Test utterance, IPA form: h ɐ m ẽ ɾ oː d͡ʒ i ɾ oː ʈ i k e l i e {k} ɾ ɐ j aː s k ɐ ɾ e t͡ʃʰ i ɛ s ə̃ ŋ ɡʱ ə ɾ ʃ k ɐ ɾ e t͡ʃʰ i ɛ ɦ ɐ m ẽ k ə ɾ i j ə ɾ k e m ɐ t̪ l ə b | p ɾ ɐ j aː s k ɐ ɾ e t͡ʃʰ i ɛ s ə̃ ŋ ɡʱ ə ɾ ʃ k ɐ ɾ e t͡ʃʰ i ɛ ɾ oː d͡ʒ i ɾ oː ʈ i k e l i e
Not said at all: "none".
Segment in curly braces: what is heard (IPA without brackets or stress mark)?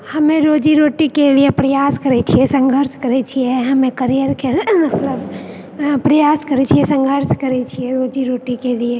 p